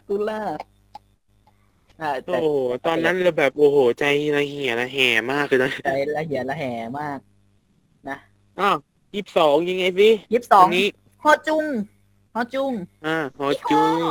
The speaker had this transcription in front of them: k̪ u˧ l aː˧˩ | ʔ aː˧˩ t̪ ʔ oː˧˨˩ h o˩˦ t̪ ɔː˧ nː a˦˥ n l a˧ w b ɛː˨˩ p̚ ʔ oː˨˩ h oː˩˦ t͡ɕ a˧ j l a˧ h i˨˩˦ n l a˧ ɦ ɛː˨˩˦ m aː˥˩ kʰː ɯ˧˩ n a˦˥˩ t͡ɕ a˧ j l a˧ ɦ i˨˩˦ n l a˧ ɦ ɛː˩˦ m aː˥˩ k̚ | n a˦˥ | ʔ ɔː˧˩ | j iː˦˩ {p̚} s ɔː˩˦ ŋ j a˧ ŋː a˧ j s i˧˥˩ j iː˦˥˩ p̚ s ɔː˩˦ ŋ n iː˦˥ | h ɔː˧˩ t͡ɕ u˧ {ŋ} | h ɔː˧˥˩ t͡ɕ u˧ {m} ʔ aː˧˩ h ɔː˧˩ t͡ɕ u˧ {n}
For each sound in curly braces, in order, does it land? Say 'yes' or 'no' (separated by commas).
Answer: yes, yes, no, no